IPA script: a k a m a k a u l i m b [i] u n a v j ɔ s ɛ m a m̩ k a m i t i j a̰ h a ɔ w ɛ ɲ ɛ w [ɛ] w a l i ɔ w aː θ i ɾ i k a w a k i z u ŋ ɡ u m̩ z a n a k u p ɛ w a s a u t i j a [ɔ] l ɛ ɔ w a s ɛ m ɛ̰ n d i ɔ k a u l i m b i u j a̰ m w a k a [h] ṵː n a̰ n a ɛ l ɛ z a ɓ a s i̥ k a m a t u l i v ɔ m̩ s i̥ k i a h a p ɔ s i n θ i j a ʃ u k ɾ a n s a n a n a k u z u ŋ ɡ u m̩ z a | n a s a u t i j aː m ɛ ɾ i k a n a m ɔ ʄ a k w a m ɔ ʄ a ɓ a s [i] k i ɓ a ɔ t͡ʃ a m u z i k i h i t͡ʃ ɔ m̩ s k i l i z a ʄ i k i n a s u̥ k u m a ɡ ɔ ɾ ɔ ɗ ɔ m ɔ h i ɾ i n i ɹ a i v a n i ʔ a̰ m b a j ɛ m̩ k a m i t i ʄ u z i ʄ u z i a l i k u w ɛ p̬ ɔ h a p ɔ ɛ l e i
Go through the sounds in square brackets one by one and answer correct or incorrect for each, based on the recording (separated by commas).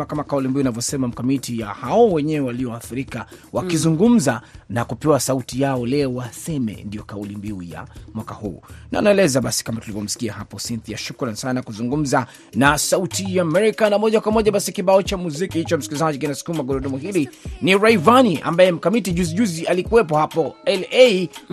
correct, correct, correct, correct, correct